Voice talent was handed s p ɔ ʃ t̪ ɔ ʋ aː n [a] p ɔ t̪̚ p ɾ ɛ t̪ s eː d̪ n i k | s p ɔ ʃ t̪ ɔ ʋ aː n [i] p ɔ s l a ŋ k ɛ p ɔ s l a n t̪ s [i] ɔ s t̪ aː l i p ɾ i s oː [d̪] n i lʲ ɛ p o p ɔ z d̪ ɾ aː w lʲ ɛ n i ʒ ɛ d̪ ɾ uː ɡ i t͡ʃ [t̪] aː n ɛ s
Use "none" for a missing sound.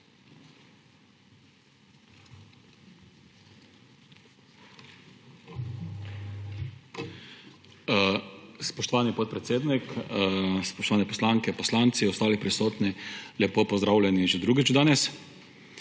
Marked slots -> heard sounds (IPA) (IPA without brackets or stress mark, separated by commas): i, ɛ, i, t̪, d̪